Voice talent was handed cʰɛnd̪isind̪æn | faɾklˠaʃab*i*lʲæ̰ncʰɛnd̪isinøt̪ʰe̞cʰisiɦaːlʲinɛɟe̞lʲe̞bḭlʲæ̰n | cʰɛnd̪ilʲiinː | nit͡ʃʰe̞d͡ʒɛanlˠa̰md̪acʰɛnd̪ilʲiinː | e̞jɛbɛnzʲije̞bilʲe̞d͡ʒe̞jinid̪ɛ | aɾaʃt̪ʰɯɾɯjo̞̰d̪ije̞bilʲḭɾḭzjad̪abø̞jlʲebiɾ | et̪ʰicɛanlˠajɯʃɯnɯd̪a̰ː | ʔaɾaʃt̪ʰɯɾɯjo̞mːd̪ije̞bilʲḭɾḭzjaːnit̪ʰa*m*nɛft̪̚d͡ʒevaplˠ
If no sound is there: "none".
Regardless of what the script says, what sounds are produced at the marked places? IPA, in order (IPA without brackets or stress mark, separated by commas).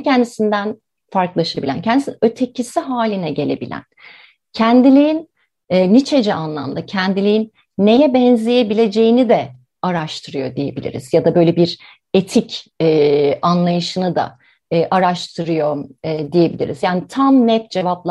i, m